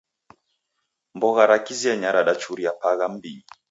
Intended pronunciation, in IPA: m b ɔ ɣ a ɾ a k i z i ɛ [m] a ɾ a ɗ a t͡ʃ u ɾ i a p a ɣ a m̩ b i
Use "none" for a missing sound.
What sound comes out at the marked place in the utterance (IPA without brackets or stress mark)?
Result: ɲ